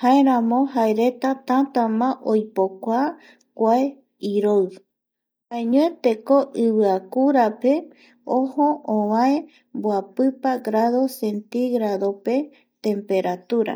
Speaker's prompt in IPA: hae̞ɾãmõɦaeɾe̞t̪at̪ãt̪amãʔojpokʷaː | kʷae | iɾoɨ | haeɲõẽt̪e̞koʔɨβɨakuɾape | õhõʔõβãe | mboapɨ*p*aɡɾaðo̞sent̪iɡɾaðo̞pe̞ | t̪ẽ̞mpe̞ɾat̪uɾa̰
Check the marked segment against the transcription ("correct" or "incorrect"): correct